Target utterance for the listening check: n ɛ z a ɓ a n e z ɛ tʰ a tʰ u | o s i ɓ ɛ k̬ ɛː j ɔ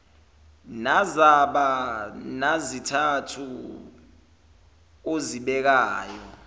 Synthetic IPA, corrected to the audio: n a z a ɓ a n a z i tʰ a tʰ u | o z i ɓ ɛ k̬ aː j ɔ